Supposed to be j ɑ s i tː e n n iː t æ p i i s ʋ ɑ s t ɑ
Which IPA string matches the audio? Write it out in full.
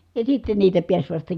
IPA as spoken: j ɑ s i tː e n n iː t æ p i æ s ʋ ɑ s t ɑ